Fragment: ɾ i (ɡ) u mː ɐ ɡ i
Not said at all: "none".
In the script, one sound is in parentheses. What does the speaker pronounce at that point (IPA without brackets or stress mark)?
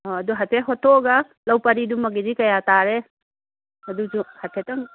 d